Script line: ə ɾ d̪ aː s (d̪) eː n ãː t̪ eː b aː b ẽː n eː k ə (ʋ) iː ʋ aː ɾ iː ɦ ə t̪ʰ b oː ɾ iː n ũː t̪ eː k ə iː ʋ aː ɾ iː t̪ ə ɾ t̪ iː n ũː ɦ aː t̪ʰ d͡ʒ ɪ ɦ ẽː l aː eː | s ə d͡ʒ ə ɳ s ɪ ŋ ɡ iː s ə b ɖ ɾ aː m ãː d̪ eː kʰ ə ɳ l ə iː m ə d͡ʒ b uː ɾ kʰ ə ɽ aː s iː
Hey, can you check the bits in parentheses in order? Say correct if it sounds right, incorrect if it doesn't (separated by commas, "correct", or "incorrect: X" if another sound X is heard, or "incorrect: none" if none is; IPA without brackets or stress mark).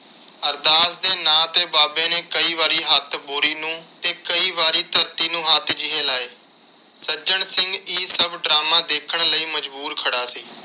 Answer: correct, incorrect: none